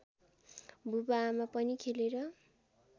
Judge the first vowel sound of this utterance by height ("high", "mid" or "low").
high